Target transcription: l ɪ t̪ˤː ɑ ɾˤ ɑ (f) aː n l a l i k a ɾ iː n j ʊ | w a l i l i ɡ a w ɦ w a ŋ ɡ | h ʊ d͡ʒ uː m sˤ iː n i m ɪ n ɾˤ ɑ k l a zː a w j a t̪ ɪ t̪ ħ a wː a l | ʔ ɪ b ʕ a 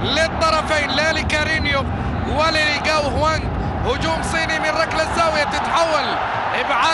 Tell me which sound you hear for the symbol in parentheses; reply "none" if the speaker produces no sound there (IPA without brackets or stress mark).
f